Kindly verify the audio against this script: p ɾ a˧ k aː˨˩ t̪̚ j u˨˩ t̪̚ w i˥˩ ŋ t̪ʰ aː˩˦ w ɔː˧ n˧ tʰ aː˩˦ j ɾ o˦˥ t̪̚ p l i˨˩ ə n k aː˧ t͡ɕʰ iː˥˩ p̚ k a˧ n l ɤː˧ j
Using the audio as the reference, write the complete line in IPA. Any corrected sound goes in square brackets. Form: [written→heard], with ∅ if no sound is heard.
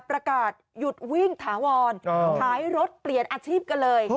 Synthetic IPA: p ɾ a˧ k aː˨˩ t̪̚ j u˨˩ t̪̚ w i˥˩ ŋ t̪ʰ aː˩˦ w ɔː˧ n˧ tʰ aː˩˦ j ɾ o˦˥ t̪̚ p l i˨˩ ə n [k→ʔ] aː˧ t͡ɕʰ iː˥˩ p̚ k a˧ n l ɤː˧ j